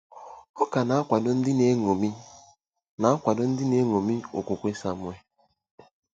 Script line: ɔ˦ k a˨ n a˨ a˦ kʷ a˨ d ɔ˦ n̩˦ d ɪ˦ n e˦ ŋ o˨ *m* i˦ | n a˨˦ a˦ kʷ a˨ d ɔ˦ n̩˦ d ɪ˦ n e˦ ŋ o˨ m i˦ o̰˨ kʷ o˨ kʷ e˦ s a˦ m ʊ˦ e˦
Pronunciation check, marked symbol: correct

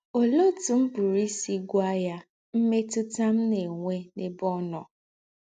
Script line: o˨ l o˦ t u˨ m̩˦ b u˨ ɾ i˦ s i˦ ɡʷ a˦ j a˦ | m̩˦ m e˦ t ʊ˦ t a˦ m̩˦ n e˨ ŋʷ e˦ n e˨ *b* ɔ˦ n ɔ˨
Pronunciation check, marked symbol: correct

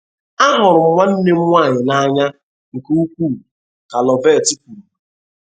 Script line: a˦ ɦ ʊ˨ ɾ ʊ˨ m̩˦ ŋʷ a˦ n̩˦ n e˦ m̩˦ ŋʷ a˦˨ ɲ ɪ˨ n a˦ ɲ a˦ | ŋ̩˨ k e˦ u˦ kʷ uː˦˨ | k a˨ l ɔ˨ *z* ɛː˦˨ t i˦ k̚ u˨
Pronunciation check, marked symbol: incorrect: v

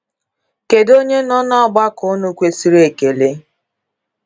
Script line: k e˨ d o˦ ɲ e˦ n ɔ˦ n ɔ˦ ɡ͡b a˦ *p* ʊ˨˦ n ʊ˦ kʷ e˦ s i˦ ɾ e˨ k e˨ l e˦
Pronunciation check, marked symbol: incorrect: k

